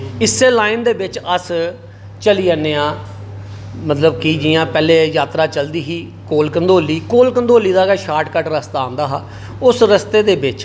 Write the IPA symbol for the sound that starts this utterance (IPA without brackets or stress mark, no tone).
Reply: ɪ